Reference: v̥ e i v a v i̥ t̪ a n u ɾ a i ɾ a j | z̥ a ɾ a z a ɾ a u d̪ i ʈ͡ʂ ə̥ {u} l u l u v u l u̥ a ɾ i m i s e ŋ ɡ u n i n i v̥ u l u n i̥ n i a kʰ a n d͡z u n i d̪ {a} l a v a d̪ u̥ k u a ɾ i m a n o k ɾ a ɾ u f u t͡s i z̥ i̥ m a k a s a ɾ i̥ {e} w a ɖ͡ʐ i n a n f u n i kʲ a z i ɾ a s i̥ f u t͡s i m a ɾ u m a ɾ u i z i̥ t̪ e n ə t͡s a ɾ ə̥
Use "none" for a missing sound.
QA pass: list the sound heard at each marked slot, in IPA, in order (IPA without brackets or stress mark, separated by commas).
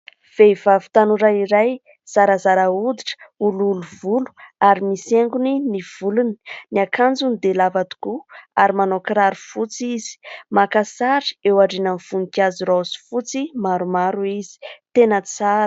u, e, e